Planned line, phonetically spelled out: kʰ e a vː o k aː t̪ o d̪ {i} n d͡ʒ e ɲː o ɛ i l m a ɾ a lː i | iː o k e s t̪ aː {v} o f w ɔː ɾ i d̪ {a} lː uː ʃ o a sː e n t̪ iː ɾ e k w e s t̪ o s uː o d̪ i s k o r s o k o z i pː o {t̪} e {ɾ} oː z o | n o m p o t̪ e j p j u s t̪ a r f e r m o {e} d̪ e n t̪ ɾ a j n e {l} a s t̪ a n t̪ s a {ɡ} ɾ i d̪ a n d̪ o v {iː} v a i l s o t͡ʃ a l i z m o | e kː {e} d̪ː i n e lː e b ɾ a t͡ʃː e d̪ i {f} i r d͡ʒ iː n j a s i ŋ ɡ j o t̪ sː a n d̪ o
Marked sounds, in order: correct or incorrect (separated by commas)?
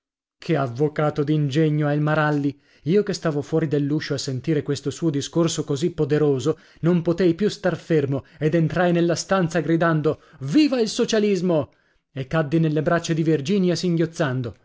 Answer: correct, correct, incorrect, incorrect, correct, correct, incorrect, correct, correct, incorrect, incorrect